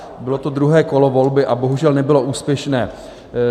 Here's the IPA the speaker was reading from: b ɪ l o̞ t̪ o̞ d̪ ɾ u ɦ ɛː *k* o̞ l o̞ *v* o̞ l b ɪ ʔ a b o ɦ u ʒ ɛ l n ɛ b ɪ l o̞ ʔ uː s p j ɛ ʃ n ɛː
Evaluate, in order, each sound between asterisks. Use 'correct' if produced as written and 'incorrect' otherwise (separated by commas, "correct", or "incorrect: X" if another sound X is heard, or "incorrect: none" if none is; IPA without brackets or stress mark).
correct, correct